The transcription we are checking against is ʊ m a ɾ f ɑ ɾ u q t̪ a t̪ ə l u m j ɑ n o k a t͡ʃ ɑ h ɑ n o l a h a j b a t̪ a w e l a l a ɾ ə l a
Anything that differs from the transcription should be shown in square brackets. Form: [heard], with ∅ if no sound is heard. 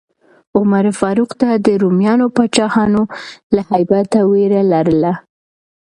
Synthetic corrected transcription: ʊ m a ɾ f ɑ ɾ u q t̪ a [d̪] ə [ɾ] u m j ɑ n o [p] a t͡ʃ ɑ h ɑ n o l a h a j b a t̪ a w e [ɾ] a l a ɾ ə l a